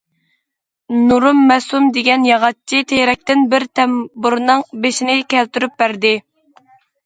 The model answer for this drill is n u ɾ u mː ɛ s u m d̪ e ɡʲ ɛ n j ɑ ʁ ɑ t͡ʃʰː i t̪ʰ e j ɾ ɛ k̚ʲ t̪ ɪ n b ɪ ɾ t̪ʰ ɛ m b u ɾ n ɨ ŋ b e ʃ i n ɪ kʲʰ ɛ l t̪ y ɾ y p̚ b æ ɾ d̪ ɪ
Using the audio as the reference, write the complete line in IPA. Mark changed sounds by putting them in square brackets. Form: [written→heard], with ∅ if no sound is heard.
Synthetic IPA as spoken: n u ɾ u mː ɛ s u m d̪ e ɡʲ ɛ n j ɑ ʁ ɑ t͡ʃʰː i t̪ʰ e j ɾ ɛ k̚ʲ t̪ ɪ n b ɪ ɾ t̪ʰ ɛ m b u ɾ n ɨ ŋ b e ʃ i n ɪ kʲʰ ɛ l t̪ y ɾ y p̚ b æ ɾ d̪ ɪ